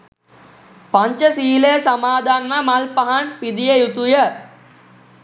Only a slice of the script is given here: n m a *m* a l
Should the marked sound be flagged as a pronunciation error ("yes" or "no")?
no